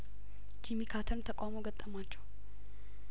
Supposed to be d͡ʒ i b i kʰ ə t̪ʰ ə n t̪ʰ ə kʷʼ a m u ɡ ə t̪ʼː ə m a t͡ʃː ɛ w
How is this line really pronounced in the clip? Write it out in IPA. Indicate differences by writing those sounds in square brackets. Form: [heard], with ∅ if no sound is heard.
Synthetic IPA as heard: d͡ʒ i [m] i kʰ [a] t̪ʰ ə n t̪ʰ ə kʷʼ a m [o] ɡ ə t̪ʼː ə m a t͡ʃː ɛ w